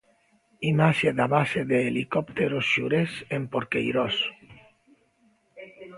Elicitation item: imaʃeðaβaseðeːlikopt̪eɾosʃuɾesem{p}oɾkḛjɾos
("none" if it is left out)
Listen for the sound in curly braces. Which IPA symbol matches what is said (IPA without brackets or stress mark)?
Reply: p